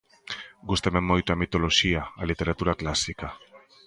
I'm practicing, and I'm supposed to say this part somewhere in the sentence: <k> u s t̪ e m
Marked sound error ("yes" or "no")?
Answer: yes